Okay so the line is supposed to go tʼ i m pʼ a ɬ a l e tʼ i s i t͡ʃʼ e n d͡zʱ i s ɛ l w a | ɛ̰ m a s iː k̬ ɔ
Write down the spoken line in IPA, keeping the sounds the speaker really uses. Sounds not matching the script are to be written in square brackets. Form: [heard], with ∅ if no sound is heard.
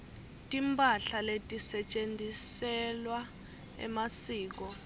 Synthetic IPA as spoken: tʼ i m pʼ a ɬ a l e tʼ i s [ɛ] t͡ʃʼ e n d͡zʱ i s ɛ l w a | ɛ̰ m a s iː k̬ ɔ